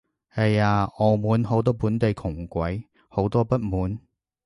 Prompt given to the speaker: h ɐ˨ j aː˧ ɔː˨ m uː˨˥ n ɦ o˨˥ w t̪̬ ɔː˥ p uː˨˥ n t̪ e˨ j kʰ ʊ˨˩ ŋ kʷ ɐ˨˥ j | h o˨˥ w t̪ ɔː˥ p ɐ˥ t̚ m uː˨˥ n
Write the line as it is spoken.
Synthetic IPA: h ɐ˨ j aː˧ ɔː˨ m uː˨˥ n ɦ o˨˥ w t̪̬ ɔː˥ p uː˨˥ n t̪ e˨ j kʰ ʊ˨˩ ŋ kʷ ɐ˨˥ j | h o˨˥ w t̪ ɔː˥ p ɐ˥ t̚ m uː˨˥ n